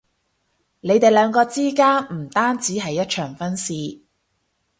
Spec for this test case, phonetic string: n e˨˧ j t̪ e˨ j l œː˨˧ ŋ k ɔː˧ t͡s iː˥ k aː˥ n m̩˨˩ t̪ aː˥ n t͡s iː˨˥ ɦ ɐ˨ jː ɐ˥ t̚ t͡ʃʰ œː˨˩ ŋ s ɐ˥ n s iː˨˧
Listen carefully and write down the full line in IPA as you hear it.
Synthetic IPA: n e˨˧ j t̪ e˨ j l œː˨˧ ŋ k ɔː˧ t͡s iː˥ k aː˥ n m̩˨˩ t̪ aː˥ n t͡s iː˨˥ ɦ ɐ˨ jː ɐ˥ t̚ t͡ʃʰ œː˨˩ ŋ f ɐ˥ n s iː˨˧